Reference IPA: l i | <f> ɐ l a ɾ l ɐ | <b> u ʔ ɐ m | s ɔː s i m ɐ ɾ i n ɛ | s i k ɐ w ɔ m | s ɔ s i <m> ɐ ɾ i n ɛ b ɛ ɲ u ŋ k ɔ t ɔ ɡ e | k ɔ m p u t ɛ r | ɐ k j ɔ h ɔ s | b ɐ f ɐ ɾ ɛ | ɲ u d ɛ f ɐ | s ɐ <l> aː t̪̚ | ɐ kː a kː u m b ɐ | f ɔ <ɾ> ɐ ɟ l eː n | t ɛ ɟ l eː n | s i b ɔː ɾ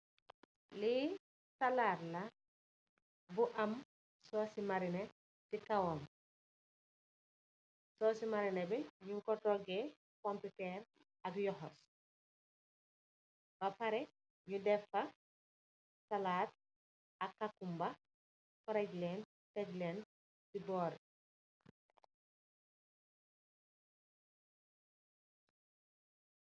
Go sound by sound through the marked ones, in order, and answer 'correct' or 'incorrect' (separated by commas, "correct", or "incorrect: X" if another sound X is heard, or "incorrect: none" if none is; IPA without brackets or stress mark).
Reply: incorrect: s, correct, correct, correct, correct